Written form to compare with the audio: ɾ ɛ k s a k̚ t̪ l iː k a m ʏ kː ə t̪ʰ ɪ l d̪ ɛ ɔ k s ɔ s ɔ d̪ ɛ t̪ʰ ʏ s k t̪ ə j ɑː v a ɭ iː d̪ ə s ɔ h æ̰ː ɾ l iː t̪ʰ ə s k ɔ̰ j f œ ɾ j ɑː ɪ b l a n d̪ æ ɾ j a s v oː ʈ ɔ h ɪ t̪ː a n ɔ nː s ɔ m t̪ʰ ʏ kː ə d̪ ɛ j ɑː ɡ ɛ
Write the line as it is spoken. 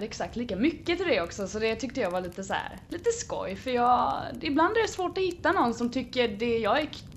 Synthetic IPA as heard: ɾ ɛ k s a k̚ t̪ l iː k a m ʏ kː ə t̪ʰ ɪ l d̪ ɛ ɔ k s ɔ s ɔ d̪ ɛ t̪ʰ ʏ k t̪ ə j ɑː v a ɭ iː t̪ ə s ɔ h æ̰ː ɾ l iː t̪ ə s k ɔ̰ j f œ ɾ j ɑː ɪ b l a n d̪ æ ɾ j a s v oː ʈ ɔ h ɪ t̪ː a n ɔ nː s ɔ m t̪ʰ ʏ kː ə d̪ ɛ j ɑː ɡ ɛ